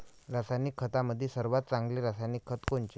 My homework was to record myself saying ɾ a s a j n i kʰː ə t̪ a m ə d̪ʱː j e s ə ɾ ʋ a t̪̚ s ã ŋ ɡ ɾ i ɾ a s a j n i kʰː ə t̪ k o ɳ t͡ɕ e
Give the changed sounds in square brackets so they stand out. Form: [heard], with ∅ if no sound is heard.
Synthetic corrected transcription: ɾ a s a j n i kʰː ə t̪ a m ə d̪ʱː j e s ə ɾ ʋ a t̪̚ [t͡s] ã ŋ ɡ [l] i ɾ a s a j n i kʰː ə t̪ k o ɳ t͡ɕ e